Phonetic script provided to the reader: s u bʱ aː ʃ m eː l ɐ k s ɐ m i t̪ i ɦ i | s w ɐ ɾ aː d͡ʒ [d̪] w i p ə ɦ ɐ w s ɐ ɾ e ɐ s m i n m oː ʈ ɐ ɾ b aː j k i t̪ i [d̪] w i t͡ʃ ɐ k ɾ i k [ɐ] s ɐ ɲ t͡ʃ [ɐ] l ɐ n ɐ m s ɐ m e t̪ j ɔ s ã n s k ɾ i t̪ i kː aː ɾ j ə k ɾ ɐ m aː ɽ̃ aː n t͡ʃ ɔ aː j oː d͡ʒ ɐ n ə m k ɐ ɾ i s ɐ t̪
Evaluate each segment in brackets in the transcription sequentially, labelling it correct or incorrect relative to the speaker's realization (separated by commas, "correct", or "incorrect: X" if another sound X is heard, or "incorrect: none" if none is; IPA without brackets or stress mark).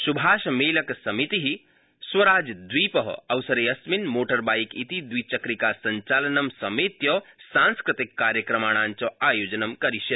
correct, correct, incorrect: a, incorrect: a